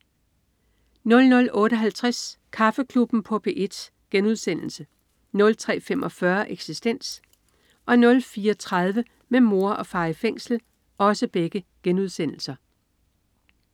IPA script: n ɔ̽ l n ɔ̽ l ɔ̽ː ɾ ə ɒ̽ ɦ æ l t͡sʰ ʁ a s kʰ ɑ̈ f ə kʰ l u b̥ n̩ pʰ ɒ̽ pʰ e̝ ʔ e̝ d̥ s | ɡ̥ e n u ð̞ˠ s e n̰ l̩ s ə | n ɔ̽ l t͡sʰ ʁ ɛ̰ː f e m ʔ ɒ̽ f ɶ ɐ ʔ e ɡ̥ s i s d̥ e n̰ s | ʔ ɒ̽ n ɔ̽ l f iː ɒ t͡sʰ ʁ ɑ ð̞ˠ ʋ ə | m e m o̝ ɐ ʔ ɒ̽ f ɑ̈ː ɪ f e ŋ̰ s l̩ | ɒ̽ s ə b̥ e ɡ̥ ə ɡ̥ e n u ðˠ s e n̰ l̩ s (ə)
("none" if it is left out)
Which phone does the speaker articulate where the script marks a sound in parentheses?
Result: ɐ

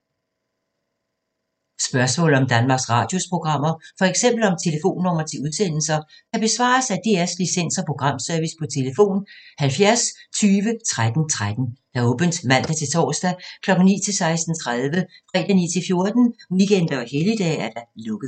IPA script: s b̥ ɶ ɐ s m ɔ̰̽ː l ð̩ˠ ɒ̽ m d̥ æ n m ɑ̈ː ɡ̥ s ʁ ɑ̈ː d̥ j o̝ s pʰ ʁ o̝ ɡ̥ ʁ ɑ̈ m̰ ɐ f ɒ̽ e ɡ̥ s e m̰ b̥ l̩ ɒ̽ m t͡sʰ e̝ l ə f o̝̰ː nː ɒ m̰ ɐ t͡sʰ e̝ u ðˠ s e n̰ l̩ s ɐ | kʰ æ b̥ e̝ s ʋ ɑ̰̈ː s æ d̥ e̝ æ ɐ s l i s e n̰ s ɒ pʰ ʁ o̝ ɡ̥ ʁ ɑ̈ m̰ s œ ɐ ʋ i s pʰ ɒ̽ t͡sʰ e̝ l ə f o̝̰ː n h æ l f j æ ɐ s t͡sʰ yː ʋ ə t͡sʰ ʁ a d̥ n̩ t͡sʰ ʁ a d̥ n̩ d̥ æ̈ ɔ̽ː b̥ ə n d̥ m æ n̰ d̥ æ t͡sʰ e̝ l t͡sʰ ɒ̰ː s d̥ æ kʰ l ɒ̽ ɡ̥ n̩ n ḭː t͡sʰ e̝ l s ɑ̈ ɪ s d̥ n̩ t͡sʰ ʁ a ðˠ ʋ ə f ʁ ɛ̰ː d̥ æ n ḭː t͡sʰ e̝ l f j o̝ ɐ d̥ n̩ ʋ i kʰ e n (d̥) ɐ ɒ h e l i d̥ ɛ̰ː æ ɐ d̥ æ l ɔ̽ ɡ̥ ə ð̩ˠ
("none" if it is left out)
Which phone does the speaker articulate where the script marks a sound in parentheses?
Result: d̥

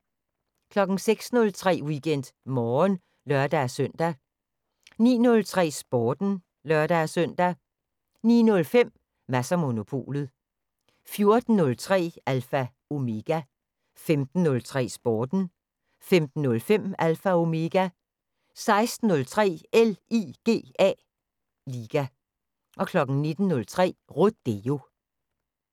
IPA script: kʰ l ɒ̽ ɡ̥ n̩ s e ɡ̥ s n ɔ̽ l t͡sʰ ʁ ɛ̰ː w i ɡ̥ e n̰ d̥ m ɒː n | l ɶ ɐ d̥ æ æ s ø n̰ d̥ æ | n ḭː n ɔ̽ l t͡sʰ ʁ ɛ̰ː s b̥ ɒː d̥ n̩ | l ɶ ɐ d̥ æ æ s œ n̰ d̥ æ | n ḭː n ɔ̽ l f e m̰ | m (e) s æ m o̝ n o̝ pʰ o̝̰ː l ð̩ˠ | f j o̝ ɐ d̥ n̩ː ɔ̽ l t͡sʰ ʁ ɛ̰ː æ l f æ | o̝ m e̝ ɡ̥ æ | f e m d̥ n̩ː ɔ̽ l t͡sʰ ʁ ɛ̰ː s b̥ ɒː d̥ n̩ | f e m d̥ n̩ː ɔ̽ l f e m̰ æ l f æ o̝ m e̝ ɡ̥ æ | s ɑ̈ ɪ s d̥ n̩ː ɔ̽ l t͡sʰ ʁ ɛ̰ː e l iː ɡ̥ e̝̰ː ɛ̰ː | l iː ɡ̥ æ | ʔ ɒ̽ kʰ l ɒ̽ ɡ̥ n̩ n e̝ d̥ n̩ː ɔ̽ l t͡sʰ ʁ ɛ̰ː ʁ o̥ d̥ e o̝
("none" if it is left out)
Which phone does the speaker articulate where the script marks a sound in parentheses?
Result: æ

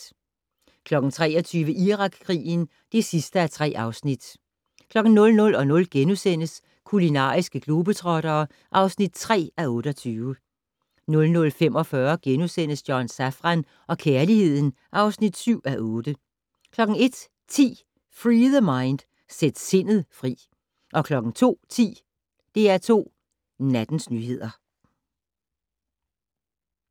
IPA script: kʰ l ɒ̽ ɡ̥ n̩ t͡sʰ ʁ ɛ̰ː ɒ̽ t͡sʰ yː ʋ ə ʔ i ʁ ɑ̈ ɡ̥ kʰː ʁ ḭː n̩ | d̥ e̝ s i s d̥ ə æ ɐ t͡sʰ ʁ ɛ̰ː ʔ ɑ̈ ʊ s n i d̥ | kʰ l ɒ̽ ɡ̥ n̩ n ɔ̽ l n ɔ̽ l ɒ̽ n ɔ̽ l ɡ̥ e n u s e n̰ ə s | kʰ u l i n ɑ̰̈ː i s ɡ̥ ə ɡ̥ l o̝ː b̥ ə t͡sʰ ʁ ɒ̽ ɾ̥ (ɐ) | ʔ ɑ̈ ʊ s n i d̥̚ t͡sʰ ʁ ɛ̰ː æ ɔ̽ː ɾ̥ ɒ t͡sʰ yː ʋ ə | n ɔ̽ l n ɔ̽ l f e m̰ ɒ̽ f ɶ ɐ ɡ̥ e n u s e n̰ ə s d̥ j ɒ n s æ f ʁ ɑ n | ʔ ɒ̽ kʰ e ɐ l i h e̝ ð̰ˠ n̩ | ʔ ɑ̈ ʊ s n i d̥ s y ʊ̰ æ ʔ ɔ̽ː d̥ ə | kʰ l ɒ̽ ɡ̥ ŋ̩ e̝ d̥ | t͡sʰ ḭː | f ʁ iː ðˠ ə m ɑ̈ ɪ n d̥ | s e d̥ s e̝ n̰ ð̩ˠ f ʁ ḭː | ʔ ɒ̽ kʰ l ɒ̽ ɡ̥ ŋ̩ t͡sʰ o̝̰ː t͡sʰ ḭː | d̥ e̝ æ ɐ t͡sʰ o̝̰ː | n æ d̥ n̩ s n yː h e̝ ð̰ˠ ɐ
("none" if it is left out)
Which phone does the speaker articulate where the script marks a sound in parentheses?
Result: ɐː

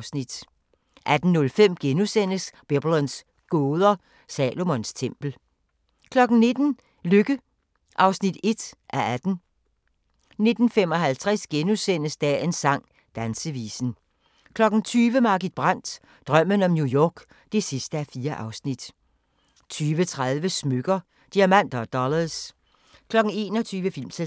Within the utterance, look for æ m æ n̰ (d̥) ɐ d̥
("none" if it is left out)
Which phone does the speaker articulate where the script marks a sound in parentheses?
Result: d̥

